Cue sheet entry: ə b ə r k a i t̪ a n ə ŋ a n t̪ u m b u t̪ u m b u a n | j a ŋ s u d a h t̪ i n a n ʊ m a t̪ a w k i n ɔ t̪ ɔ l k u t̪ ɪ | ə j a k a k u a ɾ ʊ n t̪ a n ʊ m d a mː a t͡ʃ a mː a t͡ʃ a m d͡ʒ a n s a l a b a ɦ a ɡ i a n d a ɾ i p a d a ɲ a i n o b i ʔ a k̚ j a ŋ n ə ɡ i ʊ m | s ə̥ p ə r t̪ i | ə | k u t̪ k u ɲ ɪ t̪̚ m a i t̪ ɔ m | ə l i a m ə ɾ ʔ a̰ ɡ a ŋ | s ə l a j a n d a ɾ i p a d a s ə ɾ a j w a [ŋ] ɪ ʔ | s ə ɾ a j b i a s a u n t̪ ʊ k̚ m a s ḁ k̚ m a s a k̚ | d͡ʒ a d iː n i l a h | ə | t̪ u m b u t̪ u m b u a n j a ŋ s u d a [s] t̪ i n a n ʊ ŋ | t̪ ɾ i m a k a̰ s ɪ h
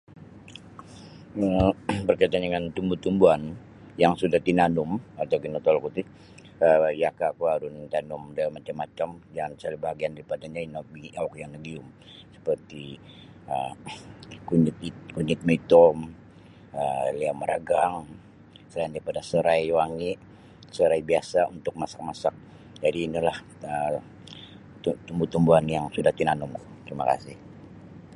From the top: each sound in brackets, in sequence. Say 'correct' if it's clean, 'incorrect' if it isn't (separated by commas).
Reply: correct, incorrect